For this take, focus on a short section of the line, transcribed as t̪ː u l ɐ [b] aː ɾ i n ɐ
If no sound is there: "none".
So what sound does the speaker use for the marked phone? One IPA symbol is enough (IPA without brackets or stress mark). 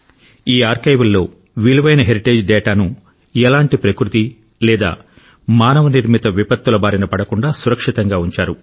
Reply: b